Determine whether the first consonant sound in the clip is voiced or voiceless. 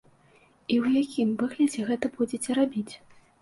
voiced